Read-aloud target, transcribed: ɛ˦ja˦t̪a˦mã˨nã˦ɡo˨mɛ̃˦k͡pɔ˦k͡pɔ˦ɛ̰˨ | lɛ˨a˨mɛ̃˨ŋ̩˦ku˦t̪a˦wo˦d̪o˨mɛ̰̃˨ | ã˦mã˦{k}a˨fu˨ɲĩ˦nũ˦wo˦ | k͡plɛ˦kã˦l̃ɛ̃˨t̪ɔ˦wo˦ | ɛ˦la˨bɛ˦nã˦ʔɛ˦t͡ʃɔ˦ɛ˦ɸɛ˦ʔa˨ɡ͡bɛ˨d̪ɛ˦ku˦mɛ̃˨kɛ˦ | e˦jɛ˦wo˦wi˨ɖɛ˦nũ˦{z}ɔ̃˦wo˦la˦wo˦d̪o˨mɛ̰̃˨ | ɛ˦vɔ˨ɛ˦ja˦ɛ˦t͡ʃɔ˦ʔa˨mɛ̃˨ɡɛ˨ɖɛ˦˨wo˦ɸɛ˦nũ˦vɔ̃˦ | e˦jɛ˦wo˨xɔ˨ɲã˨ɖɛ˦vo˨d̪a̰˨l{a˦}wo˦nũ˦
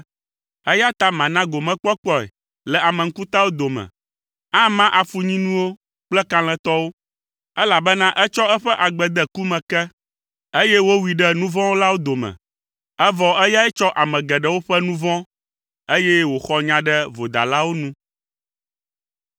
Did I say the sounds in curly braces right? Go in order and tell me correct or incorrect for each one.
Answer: incorrect: ʔ, incorrect: v, correct

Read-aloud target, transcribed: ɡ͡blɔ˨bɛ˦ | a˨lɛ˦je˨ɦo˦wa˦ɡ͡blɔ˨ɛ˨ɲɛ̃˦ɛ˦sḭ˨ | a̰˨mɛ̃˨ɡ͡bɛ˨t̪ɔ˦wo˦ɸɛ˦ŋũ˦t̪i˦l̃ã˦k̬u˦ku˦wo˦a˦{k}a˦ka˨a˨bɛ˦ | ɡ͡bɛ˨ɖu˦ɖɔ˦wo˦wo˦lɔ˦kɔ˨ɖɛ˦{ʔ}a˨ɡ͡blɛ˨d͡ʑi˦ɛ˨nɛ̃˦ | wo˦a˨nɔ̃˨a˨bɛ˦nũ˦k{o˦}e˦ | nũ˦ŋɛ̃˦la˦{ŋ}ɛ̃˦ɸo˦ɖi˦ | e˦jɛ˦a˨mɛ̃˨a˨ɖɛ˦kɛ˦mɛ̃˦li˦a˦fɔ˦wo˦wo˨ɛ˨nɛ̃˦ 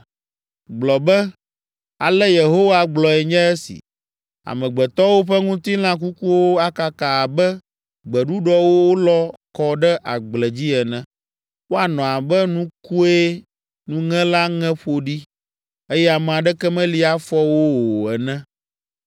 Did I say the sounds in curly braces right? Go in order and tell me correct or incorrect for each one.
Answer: correct, correct, incorrect: u˦, correct

